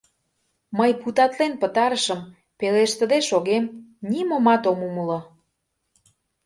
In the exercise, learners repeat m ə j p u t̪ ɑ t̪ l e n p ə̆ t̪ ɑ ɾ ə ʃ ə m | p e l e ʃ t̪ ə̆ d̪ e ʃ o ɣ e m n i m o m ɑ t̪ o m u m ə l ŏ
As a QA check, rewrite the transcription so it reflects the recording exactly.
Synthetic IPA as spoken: m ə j p u t̪ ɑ t̪ l e n p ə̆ t̪ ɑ ɾ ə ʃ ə m | p e l e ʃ t̪ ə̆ d̪ e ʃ o ɣ e m n i m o m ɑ t̪ o m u m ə l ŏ